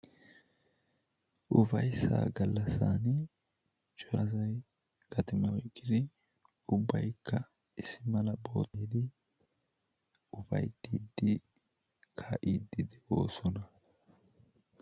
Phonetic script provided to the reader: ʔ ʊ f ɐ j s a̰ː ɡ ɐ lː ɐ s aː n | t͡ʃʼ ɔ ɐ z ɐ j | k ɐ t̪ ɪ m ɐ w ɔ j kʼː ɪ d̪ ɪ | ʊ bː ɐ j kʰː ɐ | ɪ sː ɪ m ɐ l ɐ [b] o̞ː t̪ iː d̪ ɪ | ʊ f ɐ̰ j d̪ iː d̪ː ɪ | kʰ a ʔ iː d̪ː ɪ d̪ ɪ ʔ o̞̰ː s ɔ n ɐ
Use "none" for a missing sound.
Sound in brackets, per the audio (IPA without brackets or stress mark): b